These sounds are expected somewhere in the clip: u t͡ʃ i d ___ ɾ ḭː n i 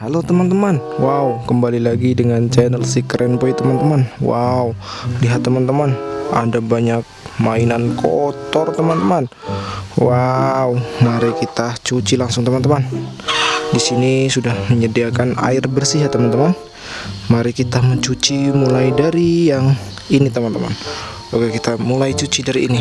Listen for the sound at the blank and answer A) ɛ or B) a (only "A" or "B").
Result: B